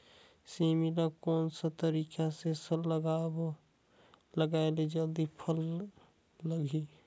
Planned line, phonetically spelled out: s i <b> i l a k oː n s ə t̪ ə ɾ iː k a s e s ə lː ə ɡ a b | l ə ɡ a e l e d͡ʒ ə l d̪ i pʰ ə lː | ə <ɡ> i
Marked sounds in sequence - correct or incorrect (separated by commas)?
incorrect, correct